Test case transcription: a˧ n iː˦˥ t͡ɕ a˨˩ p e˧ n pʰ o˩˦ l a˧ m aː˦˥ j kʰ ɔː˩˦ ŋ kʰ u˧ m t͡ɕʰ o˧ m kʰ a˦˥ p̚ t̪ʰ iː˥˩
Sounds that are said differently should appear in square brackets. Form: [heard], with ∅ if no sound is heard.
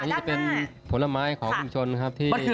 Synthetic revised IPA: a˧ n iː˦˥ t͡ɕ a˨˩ p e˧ n pʰ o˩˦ l a˧ m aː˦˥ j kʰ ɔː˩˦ ŋ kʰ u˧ m t͡ɕʰ o˧ [n] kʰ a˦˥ p̚ t̪ʰ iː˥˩

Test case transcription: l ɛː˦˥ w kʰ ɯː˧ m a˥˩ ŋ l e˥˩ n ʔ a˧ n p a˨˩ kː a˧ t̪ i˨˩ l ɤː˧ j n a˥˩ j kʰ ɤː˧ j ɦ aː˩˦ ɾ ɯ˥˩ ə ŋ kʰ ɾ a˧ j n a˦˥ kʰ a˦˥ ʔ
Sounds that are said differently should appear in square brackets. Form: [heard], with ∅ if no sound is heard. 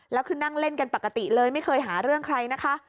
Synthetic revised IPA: l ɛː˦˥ w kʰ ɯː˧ [n] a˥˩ ŋ l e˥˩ n [k] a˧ n p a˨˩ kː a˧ t̪ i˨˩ l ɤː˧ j [m] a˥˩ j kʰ ɤː˧ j ɦ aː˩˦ ɾ ɯ˥˩ ə ŋ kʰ ɾ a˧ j n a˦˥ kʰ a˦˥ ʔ

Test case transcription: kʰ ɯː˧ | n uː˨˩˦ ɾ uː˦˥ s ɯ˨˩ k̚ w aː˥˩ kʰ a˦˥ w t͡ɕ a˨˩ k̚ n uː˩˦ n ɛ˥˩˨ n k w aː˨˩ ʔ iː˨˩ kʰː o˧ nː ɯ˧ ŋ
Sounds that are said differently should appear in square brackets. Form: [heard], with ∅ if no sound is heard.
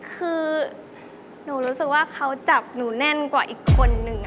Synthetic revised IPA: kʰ ɯː˧ | n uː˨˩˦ ɾ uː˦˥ s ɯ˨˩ k̚ w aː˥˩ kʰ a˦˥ w t͡ɕ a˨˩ [p̚] n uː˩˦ n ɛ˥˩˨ n k w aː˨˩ ʔ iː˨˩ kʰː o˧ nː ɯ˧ ŋ

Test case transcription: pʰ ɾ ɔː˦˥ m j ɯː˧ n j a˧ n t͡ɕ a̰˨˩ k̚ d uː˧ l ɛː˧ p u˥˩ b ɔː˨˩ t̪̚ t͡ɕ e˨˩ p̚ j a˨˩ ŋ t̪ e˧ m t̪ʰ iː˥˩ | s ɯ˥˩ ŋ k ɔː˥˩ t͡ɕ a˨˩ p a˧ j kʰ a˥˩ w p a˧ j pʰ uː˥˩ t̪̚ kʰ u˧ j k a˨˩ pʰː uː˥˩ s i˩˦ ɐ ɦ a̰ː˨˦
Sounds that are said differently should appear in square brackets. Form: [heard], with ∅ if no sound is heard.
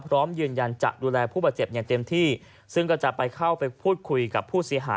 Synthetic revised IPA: pʰ ɾ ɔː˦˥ m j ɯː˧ n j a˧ n t͡ɕ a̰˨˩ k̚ d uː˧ l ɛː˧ [pʰ] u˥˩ b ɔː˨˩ t̪̚ t͡ɕ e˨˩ p̚ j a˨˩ ŋ t̪ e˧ m t̪ʰ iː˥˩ | s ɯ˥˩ ŋ k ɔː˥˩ t͡ɕ a˨˩ p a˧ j kʰ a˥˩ w p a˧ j pʰ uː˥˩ t̪̚ kʰ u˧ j k a˨˩ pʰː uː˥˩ s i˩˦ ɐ ɦ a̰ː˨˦

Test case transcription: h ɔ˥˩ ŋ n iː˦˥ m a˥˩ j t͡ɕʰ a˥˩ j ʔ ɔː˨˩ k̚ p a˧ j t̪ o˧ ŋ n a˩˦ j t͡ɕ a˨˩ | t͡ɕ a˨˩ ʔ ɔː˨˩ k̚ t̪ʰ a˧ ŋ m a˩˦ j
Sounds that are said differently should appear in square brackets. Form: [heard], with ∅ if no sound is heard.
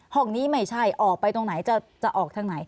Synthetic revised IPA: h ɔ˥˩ ŋ n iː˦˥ m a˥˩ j t͡ɕʰ a˥˩ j ʔ ɔː˨˩ k̚ p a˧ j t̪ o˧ ŋ n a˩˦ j t͡ɕ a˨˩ | t͡ɕ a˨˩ ʔ ɔː˨˩ k̚ t̪ʰ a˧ ŋ [n] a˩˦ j

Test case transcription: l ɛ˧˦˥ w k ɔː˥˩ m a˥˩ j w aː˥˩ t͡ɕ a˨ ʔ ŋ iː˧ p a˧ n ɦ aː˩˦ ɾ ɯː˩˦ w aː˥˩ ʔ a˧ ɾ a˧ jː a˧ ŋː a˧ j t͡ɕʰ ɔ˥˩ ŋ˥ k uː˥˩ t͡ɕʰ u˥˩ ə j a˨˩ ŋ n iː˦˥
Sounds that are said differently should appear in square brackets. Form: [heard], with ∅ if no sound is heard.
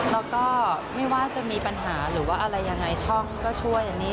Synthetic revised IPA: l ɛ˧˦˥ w k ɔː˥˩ m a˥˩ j w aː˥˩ t͡ɕ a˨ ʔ [m] iː˧ p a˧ n ɦ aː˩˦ ɾ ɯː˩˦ w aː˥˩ ʔ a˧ ɾ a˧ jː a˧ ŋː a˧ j t͡ɕʰ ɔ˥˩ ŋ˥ k [ɔː˥˩] t͡ɕʰ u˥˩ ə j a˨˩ ŋ n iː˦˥

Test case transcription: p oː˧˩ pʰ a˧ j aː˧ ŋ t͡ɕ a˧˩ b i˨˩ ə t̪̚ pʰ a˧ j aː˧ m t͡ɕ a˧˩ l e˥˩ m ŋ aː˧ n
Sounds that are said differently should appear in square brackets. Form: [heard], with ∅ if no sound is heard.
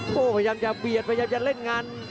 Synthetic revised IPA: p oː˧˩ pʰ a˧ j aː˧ [m] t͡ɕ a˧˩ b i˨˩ ə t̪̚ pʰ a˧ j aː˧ m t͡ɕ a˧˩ l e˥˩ [n] ŋ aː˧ n

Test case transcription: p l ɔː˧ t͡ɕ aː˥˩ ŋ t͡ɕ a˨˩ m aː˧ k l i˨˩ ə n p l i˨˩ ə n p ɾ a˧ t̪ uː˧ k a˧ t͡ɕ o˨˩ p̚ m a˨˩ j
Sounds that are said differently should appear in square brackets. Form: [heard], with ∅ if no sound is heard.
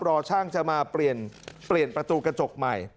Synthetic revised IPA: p [ɾ] ɔː˧ [t͡ɕʰ] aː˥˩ ŋ t͡ɕ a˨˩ m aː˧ [p] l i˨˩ ə n p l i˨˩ ə n p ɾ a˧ t̪ uː˧ k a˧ t͡ɕ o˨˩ [k̚] m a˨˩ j

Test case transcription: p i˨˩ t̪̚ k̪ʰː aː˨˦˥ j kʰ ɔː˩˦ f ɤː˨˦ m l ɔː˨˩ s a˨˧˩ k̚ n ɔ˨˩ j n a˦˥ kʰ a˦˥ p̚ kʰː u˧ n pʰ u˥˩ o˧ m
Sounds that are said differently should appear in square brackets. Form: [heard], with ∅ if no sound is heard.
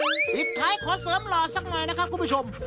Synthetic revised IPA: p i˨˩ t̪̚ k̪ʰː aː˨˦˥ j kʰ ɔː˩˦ [s] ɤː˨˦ m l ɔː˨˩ s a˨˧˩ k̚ n ɔ˨˩ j n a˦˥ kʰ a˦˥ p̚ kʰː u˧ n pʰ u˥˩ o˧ m

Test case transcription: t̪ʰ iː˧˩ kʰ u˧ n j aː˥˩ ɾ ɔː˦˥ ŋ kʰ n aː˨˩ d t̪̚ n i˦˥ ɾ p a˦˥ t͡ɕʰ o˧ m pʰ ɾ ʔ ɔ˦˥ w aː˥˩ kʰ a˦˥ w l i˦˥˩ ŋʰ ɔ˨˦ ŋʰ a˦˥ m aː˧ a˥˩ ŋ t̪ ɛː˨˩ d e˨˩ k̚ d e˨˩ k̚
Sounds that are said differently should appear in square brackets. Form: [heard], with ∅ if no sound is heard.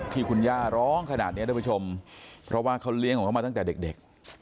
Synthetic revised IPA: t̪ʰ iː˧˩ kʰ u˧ n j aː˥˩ ɾ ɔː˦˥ ŋ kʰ n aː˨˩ [∅] t̪̚ n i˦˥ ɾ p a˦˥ t͡ɕʰ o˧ m pʰ ɾ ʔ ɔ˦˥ w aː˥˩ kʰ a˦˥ w l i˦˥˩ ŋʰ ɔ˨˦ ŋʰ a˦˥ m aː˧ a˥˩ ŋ t̪ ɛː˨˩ d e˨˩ k̚ d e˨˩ k̚

